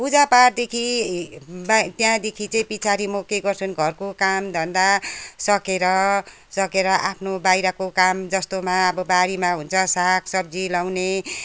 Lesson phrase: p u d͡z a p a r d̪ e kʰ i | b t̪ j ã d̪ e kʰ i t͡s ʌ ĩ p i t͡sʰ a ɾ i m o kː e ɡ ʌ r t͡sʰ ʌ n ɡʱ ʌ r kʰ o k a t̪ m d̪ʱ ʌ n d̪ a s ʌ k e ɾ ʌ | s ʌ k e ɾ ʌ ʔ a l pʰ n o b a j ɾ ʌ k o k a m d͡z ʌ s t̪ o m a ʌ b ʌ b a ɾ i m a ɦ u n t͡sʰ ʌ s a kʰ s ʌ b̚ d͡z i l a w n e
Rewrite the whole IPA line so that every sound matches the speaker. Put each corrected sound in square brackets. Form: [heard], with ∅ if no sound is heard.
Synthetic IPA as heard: p u d͡z a p a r d̪ e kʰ i | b t̪ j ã d̪ e kʰ i t͡s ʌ ĩ p i t͡sʰ a ɾ i m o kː e ɡ ʌ r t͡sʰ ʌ n ɡʱ ʌ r [k] o k a [∅] m d̪ʱ ʌ n d̪ a s ʌ k e ɾ ʌ | s ʌ k e ɾ ʌ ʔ a [∅] pʰ n o b a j ɾ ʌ k o k a m d͡z ʌ s t̪ o m a ʌ b ʌ b a ɾ i m a ɦ u n t͡sʰ ʌ s a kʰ s ʌ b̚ d͡z i l a w n e